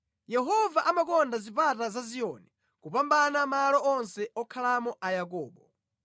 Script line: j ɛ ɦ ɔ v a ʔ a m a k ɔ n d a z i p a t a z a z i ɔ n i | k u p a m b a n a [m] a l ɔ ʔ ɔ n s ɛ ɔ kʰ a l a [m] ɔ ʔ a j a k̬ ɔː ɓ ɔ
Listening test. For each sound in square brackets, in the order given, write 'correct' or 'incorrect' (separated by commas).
correct, correct